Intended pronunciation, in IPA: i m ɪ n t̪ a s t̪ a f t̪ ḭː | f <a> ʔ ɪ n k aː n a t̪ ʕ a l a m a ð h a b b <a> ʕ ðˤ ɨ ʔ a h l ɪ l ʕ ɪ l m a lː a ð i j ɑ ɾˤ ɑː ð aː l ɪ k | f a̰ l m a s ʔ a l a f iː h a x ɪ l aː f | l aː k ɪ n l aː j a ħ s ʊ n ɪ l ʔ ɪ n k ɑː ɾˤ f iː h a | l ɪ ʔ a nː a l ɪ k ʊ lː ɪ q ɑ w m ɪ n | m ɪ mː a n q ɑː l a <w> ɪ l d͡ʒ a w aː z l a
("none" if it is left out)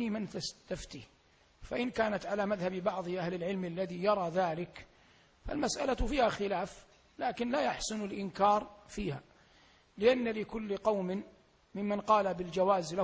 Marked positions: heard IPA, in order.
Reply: a, ɑ, b

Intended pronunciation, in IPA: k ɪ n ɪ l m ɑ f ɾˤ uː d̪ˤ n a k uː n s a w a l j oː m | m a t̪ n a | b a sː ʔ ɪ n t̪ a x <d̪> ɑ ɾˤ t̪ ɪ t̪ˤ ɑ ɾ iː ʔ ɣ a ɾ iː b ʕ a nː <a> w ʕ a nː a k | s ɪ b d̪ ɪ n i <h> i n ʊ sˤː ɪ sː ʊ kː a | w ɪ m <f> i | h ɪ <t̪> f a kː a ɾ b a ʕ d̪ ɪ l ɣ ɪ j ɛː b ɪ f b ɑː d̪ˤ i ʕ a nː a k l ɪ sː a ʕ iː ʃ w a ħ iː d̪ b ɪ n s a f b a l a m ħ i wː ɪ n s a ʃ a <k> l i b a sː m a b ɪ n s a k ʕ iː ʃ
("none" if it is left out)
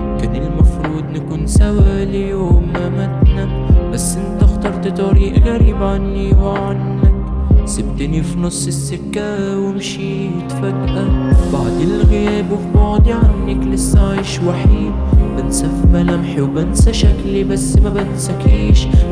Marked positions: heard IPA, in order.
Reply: t̪, i, f, ʃ, t̪, k

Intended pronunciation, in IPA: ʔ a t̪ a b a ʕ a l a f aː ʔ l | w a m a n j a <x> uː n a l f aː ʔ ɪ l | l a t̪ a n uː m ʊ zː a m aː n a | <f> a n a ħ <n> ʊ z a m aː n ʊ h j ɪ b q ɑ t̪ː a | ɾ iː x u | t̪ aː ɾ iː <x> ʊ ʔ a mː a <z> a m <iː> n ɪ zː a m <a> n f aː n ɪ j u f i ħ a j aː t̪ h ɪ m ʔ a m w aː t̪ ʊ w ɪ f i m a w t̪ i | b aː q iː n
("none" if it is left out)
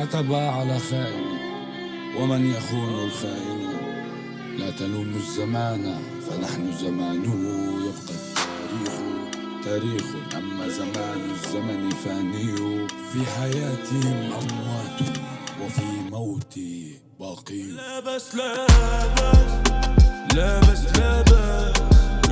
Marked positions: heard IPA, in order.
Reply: x, f, n, x, z, aː, a

